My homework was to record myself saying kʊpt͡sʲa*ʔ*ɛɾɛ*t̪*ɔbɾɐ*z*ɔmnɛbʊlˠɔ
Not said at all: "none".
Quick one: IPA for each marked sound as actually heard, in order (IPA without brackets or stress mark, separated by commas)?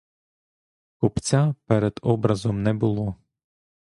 p, d̪, z